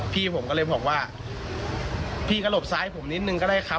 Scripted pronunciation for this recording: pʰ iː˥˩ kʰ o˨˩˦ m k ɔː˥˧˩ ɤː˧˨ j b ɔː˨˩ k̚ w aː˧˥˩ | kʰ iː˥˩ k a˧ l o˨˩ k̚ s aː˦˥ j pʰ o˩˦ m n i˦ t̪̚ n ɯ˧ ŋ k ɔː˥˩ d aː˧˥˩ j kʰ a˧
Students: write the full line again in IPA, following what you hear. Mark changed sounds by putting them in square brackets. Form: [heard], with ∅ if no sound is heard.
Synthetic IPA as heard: pʰ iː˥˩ [pʰ] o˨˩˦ m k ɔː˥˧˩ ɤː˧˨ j b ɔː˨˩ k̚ w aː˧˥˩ | [pʰ] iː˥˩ k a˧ l o˨˩ [p̚] s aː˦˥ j pʰ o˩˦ m n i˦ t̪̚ n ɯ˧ ŋ k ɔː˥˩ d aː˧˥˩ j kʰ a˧